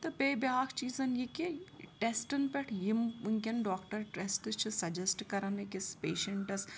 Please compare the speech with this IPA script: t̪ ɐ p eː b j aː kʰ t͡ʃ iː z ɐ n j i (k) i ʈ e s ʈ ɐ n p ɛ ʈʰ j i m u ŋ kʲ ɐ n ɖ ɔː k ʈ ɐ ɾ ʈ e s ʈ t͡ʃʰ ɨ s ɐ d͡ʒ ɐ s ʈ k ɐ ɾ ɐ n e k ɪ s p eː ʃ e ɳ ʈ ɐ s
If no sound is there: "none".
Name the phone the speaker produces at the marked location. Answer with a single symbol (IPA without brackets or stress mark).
k